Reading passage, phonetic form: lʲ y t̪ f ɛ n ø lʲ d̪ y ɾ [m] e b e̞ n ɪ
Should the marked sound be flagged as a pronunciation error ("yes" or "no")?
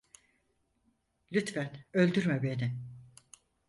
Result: no